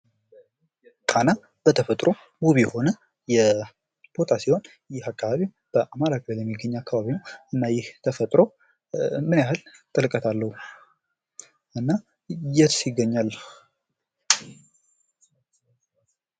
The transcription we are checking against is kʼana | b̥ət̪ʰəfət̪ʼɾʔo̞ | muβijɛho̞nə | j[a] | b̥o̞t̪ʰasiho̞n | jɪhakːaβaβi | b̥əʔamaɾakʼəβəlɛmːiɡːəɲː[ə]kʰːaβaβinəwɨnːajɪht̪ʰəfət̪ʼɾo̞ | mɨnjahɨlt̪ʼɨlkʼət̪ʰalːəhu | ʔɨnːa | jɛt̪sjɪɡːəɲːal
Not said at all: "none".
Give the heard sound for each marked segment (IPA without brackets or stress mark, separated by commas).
ɛ, a